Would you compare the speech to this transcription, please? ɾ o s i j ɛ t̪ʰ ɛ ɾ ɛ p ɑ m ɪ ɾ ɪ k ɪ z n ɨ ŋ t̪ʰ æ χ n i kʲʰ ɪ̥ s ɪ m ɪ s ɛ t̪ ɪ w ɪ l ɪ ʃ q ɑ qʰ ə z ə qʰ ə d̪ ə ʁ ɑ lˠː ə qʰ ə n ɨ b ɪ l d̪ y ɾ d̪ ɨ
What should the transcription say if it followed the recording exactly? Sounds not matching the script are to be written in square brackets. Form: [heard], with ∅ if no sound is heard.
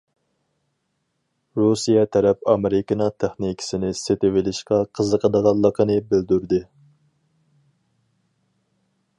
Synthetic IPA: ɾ [u] s i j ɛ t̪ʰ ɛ ɾ ɛ p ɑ m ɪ ɾ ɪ k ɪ [∅] n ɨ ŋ t̪ʰ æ χ n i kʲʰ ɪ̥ s ɪ [n] ɪ s [e] t̪ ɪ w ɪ l ɪ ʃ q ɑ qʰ ə z ə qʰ ə d̪ ə ʁ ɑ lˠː ə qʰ ə n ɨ b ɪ l d̪ y ɾ d̪ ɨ